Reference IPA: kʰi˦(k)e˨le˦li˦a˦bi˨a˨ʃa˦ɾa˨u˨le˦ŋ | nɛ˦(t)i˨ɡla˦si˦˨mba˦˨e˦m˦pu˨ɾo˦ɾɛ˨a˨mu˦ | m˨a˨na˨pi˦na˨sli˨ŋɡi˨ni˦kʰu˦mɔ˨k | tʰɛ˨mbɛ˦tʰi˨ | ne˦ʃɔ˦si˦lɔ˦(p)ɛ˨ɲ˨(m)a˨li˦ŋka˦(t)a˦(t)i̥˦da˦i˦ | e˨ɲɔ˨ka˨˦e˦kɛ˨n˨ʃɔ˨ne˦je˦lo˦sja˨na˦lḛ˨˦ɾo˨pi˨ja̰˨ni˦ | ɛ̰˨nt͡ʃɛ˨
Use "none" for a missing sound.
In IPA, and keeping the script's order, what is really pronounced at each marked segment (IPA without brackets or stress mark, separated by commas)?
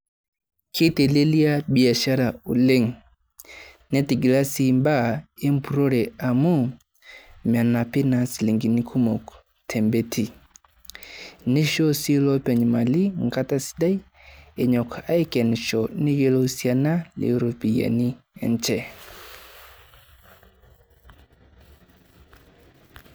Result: t, t, p, m, t, s